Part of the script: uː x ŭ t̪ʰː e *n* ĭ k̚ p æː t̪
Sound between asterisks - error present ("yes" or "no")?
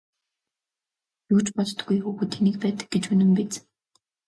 no